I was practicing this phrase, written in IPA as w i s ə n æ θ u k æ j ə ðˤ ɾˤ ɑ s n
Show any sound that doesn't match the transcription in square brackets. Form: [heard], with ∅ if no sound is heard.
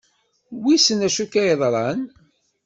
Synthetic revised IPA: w i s ə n æ [ʃ] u k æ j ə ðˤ ɾˤ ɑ [∅] n